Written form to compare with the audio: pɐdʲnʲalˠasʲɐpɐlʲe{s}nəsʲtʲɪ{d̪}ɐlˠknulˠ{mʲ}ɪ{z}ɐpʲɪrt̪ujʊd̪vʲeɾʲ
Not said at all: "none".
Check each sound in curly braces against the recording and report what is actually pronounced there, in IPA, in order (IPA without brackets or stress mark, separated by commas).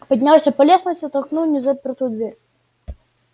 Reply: s, t̪, nʲ, z